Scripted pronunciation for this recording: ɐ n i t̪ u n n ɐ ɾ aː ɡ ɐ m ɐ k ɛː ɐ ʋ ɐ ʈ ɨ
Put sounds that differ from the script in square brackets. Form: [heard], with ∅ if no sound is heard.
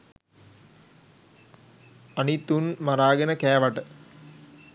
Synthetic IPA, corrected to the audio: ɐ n i t̪ u n [m] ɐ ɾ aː ɡ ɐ [n] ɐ k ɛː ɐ ʋ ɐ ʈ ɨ